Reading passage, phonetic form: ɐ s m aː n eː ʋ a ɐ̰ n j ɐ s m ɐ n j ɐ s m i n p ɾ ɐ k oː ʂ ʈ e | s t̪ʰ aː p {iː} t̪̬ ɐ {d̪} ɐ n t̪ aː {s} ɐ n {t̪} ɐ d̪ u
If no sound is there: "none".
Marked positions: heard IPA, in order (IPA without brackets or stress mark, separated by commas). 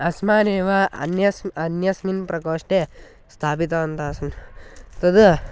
i, none, s, t̪